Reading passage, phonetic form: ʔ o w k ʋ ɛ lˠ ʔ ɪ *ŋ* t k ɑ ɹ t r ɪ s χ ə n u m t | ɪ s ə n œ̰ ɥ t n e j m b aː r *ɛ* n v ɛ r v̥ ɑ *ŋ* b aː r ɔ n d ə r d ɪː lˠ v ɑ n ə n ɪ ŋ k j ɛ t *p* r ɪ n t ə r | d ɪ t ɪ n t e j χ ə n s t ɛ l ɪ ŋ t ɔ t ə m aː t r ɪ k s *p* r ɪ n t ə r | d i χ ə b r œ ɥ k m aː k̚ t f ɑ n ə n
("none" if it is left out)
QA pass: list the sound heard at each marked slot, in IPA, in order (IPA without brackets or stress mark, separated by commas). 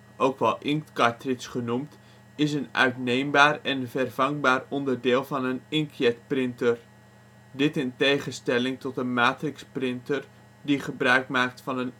ŋ, ɛ, ŋ, p, p